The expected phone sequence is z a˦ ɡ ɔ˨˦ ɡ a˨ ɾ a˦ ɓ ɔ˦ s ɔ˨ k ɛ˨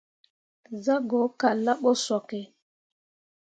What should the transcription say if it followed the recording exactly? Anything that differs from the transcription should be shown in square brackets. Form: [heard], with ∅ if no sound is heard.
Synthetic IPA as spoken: z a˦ ɡ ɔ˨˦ [k] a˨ [l] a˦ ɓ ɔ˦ s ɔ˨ k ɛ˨